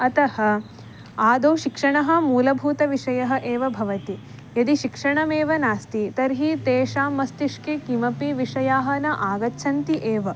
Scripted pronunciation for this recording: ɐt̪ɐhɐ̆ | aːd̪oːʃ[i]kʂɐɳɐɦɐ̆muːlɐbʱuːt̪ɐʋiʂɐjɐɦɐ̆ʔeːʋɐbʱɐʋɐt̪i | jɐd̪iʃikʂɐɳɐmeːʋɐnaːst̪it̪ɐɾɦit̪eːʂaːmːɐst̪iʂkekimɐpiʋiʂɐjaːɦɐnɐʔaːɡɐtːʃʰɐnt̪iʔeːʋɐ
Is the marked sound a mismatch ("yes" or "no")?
no